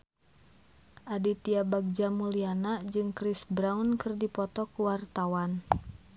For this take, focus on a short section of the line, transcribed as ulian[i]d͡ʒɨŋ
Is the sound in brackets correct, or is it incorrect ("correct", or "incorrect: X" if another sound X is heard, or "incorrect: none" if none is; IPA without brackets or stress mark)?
incorrect: a